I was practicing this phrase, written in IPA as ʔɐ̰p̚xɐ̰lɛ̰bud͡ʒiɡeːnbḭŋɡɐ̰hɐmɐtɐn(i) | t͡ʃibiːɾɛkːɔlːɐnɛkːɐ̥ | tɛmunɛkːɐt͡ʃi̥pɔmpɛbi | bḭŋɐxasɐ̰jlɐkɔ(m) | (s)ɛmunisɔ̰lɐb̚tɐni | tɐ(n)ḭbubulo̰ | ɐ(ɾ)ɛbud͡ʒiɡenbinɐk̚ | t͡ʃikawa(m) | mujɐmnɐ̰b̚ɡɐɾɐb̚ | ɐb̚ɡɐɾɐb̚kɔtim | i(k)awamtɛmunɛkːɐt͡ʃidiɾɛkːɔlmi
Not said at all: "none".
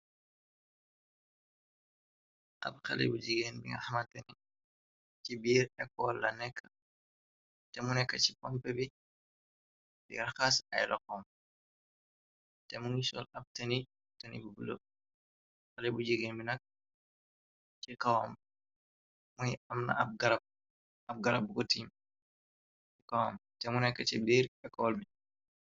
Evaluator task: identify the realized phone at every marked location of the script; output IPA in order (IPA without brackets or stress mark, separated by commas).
i, m, t, n, l, m, k